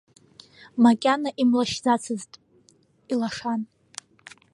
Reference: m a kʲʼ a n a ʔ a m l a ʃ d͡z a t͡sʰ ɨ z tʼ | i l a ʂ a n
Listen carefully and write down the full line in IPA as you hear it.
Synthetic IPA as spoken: m a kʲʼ a n a ʔ i m l a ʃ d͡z a t͡sʰ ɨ z tʼ | i l a ʂ a n